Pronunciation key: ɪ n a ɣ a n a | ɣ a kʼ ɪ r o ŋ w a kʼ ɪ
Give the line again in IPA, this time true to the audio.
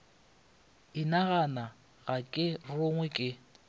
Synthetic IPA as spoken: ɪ n a ɣ a n a | ɣ a kʼ ɪ r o ŋ w ɛ kʼ ɪ